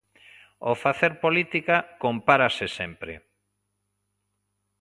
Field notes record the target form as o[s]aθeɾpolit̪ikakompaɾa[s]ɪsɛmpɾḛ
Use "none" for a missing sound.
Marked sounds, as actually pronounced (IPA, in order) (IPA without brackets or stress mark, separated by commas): f, s